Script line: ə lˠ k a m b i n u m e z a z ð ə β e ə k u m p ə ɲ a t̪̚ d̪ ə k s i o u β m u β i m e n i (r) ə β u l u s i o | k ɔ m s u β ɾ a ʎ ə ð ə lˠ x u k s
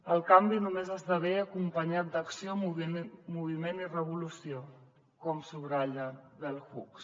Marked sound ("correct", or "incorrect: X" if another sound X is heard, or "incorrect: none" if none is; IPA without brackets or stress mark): correct